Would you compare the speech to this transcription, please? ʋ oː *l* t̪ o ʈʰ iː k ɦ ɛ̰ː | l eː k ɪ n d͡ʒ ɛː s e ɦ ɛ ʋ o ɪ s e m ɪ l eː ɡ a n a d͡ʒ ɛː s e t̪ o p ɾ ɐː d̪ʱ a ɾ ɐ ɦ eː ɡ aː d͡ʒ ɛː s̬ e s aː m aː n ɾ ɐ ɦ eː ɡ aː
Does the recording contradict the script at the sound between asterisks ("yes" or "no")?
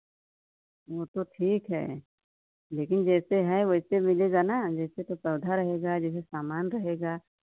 yes